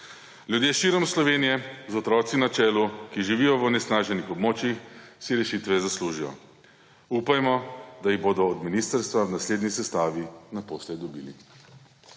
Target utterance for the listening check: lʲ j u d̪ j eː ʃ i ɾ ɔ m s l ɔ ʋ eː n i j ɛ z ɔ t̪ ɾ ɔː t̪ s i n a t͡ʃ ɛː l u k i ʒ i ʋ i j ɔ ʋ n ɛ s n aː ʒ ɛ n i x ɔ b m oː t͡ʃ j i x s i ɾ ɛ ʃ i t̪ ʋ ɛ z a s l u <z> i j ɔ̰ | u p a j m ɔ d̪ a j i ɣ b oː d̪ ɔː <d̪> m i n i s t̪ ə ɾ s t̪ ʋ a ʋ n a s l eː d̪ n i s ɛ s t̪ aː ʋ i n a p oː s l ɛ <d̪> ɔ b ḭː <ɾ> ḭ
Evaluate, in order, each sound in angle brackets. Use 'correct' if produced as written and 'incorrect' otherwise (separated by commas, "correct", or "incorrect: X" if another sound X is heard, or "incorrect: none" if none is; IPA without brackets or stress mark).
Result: incorrect: ʒ, correct, correct, incorrect: l